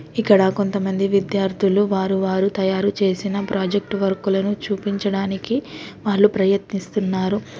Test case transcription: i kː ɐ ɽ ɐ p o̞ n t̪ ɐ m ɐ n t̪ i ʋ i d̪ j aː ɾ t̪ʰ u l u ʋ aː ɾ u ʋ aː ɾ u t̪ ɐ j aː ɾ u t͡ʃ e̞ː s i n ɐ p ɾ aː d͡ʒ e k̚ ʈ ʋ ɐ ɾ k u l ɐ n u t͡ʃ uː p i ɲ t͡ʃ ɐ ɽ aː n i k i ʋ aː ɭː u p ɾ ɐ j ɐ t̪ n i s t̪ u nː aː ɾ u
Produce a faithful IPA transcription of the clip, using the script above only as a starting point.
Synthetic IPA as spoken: i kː ɐ ɽ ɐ k o̞ n t̪ ɐ m ɐ n d̪ i ʋ i d̪ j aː ɾ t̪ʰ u l u ʋ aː ɾ u ʋ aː ɾ u t̪ ɐ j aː ɾ u t͡ʃ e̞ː s i n ɐ p ɾ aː d͡ʒ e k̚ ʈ ʋ ɐ ɾ k u l ɐ n u t͡ʃ uː p i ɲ t͡ʃ ɐ ɽ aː n i k i ʋ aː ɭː u p ɾ ɐ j ɐ t̪ n i s t̪ u nː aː ɾ u